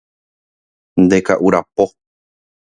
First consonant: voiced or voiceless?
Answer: voiced